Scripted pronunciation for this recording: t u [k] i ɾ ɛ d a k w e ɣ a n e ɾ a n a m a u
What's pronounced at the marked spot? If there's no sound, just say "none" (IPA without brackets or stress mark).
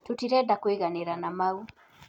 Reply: t